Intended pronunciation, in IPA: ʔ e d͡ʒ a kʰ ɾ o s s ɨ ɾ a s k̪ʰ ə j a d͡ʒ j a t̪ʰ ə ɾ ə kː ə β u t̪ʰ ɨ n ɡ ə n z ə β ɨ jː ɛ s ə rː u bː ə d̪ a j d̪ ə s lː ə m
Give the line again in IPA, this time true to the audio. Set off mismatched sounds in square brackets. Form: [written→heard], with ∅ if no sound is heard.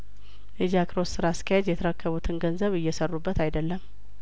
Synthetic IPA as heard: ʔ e d͡ʒ a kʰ ɾ o s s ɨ ɾ a s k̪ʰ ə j a d͡ʒ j [a→ɛ] t̪ʰ ə ɾ ə kː ə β u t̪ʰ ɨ n ɡ ə n z ə β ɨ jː ɛ s ə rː u bː ə [d̪→t̪] a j d̪ ə [s→∅] lː ə m